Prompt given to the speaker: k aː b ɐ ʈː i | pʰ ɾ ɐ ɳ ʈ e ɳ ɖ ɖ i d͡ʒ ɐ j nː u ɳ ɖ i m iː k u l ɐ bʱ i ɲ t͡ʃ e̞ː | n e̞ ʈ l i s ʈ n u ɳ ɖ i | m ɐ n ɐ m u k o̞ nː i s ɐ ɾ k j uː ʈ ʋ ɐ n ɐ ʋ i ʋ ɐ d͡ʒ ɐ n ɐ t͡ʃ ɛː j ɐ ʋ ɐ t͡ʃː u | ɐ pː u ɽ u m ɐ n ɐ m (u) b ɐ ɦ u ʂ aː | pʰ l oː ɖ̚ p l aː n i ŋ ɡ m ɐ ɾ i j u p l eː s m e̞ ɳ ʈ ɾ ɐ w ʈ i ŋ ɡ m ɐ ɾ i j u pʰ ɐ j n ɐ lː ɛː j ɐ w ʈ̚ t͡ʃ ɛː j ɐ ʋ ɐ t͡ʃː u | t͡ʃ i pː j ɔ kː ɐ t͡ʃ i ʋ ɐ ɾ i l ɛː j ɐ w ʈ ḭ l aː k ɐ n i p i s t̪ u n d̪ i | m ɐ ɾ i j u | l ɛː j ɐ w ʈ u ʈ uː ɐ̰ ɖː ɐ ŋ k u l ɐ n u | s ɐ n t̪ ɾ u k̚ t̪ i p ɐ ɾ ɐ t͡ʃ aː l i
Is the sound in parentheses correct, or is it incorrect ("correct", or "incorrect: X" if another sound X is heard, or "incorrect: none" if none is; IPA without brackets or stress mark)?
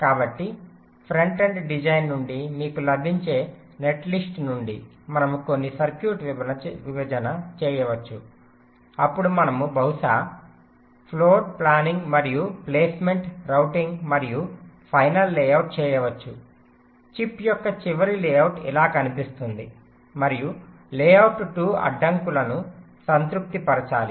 correct